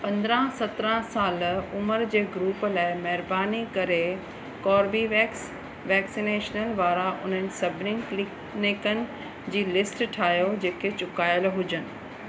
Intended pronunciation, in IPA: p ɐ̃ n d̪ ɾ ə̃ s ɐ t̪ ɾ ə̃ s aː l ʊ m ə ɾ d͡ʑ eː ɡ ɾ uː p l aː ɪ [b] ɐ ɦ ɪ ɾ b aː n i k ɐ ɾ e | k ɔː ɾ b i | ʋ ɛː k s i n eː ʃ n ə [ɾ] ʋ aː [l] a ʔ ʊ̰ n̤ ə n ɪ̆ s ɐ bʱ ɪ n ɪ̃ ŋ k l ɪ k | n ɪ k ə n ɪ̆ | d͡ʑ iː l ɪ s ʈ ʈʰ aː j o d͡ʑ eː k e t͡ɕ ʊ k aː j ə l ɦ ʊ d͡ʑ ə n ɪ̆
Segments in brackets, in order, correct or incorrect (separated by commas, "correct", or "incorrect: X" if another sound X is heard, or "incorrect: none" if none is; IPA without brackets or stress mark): incorrect: m, incorrect: l, incorrect: ɾ